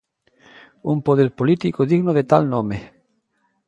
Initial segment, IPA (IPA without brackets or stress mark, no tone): u